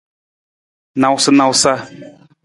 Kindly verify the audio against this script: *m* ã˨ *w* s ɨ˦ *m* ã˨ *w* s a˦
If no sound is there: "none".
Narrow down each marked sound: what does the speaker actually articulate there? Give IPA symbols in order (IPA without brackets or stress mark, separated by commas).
n, w, n, w